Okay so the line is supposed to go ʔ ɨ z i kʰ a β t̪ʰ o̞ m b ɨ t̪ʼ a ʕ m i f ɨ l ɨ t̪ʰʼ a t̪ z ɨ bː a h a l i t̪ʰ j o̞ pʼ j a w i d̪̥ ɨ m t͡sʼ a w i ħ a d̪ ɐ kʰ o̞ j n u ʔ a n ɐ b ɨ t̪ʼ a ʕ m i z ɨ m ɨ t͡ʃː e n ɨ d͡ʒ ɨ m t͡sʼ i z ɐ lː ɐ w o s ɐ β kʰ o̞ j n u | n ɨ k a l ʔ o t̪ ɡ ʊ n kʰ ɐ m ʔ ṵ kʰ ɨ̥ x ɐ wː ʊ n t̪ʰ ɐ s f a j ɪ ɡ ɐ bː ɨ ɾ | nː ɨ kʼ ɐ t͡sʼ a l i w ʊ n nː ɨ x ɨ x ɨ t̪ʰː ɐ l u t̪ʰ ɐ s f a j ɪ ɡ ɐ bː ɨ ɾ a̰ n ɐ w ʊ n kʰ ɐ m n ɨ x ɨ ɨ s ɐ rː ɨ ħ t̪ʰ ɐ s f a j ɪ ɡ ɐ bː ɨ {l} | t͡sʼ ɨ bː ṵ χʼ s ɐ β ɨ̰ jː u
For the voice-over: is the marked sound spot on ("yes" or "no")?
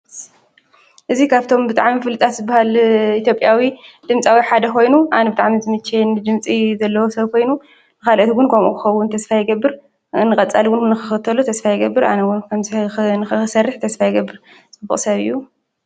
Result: no